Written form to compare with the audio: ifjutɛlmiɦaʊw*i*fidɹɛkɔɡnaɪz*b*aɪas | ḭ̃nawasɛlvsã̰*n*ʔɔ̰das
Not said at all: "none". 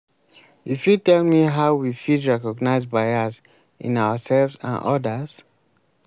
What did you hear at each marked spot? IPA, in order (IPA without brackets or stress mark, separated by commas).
i, b, n